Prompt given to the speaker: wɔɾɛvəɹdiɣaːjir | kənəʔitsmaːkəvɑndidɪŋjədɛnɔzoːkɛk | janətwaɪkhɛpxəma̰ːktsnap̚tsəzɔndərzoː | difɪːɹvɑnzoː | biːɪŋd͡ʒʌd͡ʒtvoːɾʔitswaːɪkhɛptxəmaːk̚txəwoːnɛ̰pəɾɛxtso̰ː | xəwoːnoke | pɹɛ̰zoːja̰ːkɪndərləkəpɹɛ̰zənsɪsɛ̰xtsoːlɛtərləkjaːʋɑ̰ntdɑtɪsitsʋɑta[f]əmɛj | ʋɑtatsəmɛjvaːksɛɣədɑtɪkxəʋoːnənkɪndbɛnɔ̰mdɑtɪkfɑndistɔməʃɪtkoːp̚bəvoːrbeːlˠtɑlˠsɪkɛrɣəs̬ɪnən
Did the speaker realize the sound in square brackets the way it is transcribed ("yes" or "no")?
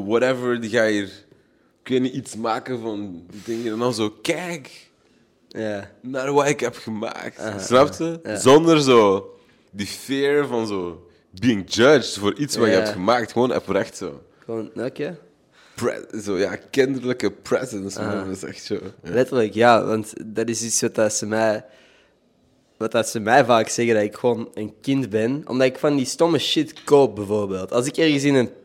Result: no